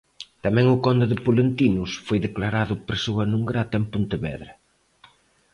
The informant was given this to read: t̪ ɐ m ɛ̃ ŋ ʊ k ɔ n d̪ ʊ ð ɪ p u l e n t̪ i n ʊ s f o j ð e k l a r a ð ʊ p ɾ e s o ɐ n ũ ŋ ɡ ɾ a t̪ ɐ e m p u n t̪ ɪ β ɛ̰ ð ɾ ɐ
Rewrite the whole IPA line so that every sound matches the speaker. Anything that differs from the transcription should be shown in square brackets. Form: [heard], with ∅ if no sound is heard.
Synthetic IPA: t̪ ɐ m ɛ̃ ŋ ʊ k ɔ n d̪ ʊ ð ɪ p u l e n t̪ i n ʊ s f o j ð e k l a [ɾ] a ð ʊ p ɾ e s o ɐ n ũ ŋ ɡ ɾ a t̪ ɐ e m p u n t̪ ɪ β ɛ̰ ð ɾ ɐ